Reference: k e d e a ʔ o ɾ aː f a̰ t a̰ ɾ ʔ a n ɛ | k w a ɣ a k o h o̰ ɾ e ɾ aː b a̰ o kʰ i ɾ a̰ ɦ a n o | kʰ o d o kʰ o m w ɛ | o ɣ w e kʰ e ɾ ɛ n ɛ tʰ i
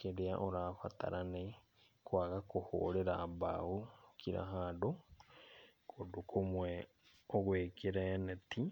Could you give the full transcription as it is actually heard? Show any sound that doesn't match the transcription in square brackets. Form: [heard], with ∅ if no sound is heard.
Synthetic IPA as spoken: k e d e a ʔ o ɾ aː f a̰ t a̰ ɾ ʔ a n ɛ | k w a ɣ a k o h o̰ ɾ e ɾ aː b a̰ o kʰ i ɾ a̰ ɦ a [d] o | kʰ o d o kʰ o m w ɛ | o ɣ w e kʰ e ɾ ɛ n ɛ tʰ i